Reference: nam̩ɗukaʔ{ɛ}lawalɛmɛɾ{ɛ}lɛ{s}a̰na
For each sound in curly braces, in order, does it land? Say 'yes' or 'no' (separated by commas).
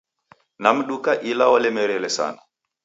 no, yes, yes